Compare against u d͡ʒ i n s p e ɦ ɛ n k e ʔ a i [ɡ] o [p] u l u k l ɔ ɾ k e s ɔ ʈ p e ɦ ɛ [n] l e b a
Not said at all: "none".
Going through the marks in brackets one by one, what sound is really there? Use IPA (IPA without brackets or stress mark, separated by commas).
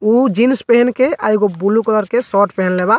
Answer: ɡ, b, n